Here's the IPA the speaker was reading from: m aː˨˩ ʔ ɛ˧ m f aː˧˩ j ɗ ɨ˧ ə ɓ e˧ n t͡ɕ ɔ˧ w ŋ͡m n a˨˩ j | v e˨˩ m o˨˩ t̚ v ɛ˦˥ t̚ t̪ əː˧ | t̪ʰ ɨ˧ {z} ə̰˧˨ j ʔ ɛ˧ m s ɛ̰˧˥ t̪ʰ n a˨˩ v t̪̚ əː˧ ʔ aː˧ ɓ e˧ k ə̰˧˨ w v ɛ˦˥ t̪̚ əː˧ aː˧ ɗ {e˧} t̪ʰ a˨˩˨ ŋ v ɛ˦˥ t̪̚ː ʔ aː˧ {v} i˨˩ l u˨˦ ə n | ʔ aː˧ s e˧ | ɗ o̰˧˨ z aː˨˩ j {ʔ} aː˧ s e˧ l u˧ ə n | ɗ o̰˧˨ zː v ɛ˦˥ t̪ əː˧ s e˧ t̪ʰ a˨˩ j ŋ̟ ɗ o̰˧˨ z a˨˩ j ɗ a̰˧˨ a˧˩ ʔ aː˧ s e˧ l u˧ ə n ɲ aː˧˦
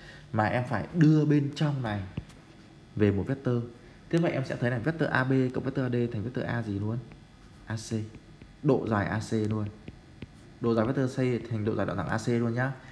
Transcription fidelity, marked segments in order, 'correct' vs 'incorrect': incorrect: v, correct, incorrect: z, correct

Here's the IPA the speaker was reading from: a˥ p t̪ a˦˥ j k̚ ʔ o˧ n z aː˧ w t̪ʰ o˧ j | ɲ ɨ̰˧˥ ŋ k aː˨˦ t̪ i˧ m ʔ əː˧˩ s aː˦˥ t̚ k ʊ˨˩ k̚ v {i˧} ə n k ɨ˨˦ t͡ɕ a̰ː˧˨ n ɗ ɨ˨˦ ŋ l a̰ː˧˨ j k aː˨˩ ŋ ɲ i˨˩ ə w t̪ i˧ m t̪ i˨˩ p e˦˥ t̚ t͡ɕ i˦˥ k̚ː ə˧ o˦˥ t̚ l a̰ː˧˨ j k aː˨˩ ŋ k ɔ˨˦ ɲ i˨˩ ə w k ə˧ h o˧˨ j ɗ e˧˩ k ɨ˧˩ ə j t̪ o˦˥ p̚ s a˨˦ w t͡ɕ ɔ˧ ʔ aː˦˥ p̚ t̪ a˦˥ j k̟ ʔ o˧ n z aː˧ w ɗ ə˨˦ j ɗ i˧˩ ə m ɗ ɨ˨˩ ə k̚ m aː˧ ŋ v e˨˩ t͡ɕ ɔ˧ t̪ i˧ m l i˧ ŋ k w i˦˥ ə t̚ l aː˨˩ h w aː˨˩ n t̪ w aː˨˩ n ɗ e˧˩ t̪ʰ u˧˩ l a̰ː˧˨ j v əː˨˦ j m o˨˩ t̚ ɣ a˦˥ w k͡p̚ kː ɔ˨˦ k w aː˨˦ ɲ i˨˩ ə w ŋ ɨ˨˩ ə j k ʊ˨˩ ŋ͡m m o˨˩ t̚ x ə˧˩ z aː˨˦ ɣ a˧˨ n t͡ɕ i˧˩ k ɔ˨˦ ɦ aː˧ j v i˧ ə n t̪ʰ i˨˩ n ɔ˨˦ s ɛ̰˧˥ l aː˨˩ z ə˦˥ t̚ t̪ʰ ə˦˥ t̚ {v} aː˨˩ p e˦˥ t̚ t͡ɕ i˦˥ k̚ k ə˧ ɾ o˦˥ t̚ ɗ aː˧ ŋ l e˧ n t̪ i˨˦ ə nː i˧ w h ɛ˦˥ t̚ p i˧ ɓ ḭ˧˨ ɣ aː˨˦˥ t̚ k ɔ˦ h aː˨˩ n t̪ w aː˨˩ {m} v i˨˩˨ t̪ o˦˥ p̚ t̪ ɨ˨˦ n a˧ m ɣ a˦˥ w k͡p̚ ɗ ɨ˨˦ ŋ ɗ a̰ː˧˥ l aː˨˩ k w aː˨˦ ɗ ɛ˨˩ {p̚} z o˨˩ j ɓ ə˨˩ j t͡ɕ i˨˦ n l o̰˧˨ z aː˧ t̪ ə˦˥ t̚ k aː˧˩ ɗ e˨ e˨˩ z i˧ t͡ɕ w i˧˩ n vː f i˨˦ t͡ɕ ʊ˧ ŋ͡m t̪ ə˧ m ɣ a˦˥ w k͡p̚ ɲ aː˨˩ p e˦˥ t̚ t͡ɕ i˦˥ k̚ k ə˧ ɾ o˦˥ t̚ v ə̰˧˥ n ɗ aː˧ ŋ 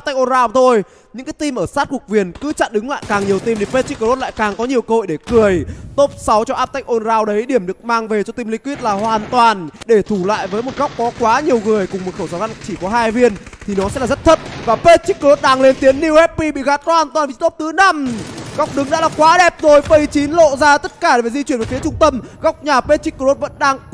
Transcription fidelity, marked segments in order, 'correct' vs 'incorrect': incorrect: i˨˩, correct, incorrect: n, correct

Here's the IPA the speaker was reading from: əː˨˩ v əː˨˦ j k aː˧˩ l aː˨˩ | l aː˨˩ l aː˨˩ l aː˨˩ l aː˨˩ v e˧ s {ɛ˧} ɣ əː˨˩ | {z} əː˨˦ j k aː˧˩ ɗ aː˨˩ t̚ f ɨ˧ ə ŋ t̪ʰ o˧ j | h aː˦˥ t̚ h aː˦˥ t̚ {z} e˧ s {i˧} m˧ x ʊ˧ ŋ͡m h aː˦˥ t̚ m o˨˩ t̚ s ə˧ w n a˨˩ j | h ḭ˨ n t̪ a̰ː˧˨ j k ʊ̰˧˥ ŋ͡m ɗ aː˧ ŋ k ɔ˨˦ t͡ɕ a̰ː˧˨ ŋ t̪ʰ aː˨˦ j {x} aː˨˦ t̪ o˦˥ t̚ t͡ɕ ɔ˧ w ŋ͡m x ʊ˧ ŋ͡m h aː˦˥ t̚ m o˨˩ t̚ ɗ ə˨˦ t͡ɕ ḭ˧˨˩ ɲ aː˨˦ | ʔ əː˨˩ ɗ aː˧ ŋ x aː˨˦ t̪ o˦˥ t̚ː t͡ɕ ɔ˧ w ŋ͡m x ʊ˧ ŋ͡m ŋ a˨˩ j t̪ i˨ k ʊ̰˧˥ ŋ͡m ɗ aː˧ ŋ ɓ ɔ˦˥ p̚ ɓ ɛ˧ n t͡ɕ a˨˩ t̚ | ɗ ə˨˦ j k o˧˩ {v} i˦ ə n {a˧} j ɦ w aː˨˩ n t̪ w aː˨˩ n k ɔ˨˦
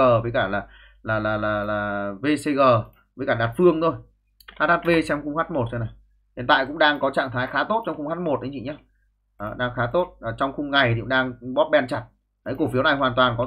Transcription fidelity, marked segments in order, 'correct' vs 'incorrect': incorrect: e˧, incorrect: v, incorrect: v, incorrect: ɛ˧, correct, incorrect: f, incorrect: a˨˩

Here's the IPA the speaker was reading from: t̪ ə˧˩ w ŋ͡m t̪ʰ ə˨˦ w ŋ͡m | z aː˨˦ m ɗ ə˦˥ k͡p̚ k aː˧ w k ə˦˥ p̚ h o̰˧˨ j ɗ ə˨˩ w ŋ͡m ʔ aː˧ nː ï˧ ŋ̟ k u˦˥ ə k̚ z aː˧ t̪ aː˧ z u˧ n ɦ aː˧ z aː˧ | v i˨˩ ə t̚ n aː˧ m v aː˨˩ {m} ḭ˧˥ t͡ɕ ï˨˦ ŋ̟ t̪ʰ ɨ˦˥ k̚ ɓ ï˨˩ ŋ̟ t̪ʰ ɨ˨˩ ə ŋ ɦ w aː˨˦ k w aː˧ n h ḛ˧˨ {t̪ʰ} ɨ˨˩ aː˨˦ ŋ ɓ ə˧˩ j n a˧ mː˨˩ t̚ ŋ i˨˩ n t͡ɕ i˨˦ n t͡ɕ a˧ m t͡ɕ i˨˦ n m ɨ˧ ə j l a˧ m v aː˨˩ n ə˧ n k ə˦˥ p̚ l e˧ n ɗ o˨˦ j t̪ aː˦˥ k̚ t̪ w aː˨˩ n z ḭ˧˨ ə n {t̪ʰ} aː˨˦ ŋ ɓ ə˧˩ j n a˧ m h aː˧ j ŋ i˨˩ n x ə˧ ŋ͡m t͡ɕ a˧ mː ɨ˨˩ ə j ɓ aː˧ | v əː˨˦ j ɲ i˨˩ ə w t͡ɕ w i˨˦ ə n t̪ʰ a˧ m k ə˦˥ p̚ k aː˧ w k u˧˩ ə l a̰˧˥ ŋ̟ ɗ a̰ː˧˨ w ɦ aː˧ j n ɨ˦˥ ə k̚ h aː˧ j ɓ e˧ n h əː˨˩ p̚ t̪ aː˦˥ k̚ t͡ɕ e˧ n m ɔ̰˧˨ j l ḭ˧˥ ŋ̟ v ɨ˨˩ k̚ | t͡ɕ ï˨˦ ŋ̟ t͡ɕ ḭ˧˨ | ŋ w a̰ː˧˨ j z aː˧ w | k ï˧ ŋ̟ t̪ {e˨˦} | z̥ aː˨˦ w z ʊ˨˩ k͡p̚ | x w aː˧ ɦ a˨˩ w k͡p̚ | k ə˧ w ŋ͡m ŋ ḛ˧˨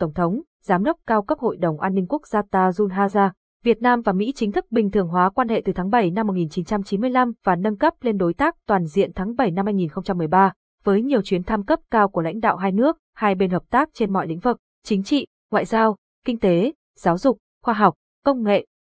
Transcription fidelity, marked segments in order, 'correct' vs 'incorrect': correct, incorrect: t̪, correct, correct

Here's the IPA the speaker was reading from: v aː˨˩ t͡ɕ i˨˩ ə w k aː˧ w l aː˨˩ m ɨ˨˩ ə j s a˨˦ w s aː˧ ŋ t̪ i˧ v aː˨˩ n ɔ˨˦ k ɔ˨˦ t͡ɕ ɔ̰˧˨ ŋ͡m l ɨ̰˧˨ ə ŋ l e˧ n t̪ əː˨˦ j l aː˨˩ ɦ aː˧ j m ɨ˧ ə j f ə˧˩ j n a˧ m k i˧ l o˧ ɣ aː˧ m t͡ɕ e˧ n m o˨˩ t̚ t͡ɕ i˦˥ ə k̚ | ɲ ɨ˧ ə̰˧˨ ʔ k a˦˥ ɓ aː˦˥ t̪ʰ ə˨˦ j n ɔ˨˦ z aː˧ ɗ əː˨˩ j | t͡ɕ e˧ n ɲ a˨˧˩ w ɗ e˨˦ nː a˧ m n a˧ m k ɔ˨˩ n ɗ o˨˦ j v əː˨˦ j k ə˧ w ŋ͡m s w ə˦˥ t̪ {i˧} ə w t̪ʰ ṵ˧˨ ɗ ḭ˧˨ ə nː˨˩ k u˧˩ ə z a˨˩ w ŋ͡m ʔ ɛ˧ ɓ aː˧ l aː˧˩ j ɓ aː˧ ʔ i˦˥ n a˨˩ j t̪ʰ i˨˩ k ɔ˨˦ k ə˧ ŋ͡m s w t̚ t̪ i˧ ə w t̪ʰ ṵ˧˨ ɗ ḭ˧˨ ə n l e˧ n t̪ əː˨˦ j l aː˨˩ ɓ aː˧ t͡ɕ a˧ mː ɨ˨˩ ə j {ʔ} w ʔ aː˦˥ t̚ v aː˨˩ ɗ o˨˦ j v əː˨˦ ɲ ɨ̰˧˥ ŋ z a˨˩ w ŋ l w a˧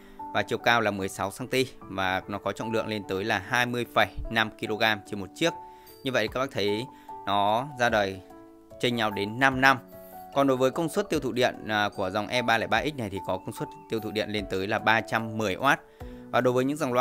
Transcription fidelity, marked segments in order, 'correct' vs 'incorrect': correct, correct

